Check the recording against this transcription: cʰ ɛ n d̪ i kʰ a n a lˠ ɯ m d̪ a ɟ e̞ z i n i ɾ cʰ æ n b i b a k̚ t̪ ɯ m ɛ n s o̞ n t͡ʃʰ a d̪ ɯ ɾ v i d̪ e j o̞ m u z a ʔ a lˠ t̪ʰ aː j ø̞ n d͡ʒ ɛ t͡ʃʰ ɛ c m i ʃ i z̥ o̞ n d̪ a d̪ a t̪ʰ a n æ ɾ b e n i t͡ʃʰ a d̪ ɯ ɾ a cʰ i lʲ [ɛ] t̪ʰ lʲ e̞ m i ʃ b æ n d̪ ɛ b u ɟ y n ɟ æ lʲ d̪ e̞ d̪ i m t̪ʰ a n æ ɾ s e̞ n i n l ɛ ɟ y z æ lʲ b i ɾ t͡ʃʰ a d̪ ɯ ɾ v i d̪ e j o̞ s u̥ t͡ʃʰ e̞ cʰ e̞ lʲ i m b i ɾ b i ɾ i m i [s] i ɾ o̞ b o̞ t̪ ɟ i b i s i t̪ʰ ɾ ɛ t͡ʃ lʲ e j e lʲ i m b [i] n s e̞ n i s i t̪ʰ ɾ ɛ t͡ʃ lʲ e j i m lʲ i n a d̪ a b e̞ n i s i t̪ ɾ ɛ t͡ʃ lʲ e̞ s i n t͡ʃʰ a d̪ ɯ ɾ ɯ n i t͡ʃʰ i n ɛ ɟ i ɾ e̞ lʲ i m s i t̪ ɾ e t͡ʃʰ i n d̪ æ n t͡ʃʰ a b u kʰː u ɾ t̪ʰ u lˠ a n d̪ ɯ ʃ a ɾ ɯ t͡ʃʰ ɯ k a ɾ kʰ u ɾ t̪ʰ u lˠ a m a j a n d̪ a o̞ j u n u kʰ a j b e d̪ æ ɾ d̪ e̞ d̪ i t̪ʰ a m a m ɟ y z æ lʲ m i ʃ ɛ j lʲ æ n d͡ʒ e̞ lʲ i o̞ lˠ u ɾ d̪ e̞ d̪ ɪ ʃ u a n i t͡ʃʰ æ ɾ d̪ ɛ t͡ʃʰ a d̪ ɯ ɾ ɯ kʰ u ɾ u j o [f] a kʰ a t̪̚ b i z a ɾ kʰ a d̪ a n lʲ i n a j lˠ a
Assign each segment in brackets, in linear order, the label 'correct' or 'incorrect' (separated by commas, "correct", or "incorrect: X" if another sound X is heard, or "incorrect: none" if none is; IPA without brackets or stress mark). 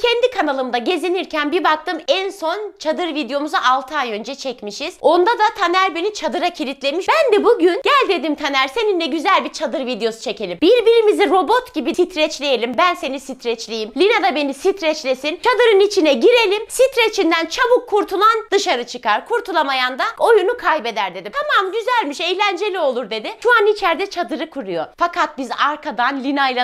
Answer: incorrect: i, incorrect: z, incorrect: æ, correct